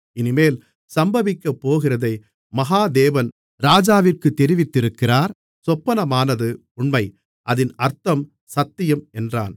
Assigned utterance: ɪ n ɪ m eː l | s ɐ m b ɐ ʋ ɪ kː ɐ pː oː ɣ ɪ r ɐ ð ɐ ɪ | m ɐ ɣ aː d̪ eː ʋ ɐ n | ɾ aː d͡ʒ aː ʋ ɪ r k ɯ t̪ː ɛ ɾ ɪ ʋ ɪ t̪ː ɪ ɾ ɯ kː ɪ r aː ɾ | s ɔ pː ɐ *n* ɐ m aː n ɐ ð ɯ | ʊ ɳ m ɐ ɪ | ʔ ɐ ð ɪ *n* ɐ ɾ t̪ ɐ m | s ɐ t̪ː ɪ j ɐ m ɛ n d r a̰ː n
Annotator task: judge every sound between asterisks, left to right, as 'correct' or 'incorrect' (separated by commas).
correct, correct